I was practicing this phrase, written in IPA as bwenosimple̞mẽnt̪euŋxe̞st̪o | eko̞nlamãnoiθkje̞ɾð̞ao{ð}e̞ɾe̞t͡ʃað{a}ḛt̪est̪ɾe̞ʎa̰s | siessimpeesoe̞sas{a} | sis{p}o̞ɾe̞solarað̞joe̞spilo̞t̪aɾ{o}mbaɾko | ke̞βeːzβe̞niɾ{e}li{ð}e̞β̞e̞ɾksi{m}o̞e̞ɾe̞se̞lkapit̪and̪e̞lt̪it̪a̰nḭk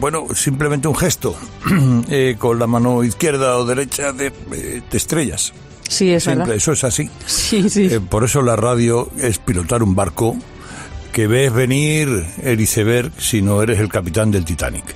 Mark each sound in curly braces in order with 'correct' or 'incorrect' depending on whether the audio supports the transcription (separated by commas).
correct, incorrect, incorrect, correct, incorrect, correct, incorrect, incorrect